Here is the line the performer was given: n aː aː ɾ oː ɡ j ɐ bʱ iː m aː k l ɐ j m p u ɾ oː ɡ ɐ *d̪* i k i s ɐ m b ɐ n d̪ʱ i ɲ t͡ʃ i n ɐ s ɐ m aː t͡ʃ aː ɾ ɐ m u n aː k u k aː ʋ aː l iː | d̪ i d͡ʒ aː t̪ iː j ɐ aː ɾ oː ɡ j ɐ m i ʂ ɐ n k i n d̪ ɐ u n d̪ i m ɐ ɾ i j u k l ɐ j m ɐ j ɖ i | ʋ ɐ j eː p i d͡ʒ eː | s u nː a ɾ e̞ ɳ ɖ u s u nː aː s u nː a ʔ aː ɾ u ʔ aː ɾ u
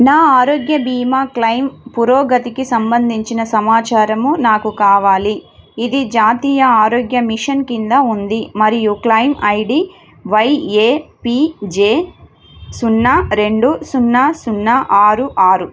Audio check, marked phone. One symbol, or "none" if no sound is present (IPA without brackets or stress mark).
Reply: t̪